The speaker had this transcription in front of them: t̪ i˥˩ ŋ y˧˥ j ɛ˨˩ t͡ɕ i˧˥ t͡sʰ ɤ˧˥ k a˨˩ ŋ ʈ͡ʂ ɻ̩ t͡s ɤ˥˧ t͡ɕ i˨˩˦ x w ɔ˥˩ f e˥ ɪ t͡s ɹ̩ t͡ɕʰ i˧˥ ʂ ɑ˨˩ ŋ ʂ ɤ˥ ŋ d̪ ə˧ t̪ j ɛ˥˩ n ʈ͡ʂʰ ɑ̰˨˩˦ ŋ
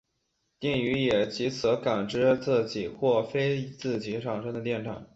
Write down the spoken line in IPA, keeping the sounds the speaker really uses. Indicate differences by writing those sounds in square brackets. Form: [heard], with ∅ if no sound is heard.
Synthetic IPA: t̪ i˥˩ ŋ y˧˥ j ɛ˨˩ t͡ɕ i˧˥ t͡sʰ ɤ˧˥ k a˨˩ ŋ ʈ͡ʂ ɻ̩ t͡s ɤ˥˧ t͡ɕ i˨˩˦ x w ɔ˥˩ f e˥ ɪ t͡s ɹ̩ [t͡ɕ] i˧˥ ʂ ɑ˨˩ ŋ ʂ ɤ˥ ŋ d̪ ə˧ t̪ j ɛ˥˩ n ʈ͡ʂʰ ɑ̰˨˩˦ ŋ